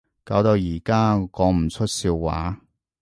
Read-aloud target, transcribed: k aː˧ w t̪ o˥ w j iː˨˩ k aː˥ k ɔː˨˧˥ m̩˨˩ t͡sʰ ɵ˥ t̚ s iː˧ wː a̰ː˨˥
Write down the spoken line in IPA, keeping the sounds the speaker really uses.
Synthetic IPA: k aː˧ w t̪ o˧ w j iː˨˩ k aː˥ k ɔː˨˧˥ m̩˨˩ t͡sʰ ɵ˥ t̚ s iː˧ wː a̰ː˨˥